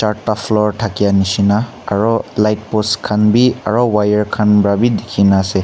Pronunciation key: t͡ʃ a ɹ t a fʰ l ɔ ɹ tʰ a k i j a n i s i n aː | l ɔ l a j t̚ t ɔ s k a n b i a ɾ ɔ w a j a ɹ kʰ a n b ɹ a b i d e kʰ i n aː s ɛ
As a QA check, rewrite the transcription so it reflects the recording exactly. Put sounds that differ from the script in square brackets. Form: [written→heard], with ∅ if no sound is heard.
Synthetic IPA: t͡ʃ a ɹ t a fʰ l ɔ ɹ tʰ a k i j a n i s i n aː | [l→ɹ] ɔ l a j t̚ [t→p] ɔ s [k→kʰ] a n b i a [ɾ→ɹ] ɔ w a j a ɹ kʰ a n b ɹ a b i d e kʰ i n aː s ɛ